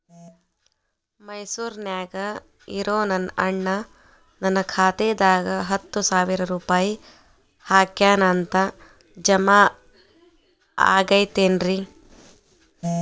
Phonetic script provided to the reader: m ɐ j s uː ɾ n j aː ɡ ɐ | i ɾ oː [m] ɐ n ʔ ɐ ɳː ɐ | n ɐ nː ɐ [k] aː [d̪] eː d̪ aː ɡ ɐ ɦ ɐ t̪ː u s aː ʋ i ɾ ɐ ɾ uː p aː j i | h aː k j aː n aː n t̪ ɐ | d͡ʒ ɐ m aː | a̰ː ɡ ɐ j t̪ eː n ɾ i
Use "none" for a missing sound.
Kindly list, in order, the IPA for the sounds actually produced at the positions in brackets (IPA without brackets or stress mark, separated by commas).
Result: n, kʰ, t̪